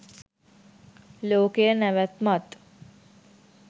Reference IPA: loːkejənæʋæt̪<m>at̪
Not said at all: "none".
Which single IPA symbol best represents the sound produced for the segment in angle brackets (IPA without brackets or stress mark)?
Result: m